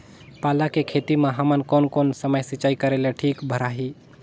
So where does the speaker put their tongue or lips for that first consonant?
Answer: lips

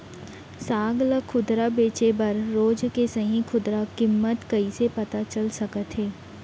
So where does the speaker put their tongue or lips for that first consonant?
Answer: tongue tip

